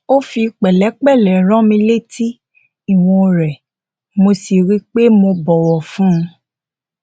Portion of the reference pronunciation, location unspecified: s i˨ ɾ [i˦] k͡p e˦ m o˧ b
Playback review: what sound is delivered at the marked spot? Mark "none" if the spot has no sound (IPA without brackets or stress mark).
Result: i˦